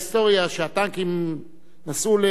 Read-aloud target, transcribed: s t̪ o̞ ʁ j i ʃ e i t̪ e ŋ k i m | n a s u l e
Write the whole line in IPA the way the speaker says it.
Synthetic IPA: s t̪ o̞ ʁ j a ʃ e a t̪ a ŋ k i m | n a s u l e